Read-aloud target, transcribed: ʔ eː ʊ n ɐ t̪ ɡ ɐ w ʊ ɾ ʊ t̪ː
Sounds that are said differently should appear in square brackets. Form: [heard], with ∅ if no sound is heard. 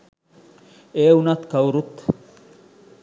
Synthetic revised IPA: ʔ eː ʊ n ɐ t̪ [k] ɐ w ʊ ɾ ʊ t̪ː